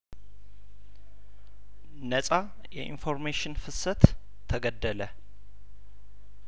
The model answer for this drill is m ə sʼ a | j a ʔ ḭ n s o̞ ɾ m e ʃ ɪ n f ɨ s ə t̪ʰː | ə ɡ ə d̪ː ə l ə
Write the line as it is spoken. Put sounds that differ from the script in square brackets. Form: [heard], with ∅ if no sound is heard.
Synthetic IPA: [n] ə sʼ a | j [ɛ] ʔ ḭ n [f] o̞ ɾ m e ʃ ɪ n f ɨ s ə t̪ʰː | ə ɡ ə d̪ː ə l ə